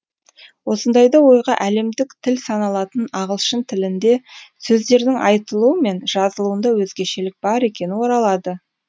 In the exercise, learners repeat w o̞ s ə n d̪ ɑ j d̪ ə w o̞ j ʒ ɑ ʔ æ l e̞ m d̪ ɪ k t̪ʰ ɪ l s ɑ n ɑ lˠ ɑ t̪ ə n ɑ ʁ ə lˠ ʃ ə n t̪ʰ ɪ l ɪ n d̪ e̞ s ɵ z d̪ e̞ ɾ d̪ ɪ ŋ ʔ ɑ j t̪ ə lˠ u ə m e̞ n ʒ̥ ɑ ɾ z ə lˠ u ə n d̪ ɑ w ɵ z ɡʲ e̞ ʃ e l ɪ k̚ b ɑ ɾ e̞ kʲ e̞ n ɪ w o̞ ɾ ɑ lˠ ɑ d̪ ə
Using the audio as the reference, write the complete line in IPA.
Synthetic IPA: w o̞ s ə n d̪ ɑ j d̪ ɑ w o̞ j ʁ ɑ ʔ æ l e̞ m d̪ ɪ k t̪ʰ ɪ l s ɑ n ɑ lˠ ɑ t̪ ə n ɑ ʁ ə lˠ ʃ ə n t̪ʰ ɪ l ɪ n d̪ e̞ s ɵ z d̪ e̞ ɾ d̪ ɪ ŋ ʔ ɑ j t̪ ə lˠ u ə m e̞ n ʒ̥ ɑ z ə lˠ u ə n d̪ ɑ w ɵ z ɡʲ e̞ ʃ e l ɪ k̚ b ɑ ɾ e̞ kʲ e̞ n ɪ w o̞ ɾ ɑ lˠ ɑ d̪ ə